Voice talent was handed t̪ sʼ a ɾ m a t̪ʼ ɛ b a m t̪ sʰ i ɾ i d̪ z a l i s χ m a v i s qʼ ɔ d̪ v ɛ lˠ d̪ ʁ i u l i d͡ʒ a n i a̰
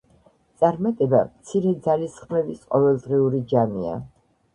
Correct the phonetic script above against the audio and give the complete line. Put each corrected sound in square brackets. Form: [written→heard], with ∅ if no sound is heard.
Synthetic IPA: t̪ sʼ a ɾ m a t̪ʼ ɛ b a m t̪ sʰ i ɾ [i→ɛ] d̪ z a l i s χ m [a→ɛ] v i s qʼ ɔ [d̪→∅] v ɛ lˠ d̪ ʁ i u [l→ɾ] i d͡ʒ a [n→m] i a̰